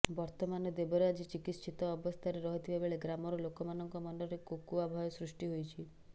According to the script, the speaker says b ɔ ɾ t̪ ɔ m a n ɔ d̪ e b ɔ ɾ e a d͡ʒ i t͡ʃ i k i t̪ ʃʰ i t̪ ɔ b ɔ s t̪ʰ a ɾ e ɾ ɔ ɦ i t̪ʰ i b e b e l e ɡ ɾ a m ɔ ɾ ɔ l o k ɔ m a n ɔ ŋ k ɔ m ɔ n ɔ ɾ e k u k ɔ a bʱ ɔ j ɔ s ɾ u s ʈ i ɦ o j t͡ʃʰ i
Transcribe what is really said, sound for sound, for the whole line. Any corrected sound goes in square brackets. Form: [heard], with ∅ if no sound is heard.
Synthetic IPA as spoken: b ɔ ɾ t̪ ɔ m a n ɔ d̪ e b ɔ ɾ e a d͡ʒ i t͡ʃ i k i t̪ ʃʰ i t̪ [ɔː] b ɔ s t̪ʰ a ɾ e ɾ ɔ ɦ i t̪ʰ i b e b e [ɭ] e ɡ ɾ a m ɔ ɾ ɔ l o k ɔ m a n ɔ ŋ k ɔ m ɔ n ɔ ɾ e k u k [u] a bʱ ɔ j ɔ s ɾ u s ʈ i ɦ o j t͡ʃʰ i